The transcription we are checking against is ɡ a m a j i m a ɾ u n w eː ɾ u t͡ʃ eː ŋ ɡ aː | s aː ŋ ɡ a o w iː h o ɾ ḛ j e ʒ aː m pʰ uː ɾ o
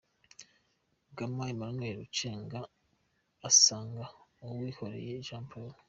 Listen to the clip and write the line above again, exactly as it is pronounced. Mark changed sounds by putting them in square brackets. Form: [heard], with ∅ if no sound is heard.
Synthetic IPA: ɡ a m a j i m a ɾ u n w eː ɾ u t͡ʃ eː ŋ ɡ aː | s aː ŋ ɡ a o w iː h o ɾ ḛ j e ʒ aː m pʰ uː ɾ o